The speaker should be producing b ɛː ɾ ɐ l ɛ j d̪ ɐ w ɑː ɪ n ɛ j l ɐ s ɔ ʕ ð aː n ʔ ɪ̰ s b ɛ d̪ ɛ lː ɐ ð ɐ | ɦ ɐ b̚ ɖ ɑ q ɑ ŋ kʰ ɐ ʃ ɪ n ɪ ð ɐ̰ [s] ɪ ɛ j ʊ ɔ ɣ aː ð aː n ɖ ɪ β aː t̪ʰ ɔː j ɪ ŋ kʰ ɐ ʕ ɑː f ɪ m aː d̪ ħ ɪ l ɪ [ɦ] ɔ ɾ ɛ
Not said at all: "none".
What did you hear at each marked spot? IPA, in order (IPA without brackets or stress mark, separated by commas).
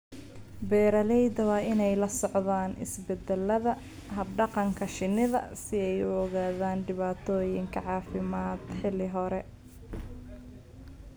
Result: s, ɦ